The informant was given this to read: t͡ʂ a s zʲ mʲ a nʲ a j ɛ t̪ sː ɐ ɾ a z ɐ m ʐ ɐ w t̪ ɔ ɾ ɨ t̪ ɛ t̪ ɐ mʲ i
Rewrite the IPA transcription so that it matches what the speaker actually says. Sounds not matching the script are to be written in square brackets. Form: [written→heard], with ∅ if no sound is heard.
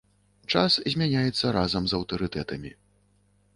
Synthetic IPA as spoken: t͡ʂ a s zʲ mʲ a nʲ a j ɛ t̪ sː ɐ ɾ a z ɐ m [ʐ→z] ɐ w t̪ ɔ ɾ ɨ t̪ ɛ t̪ ɐ mʲ i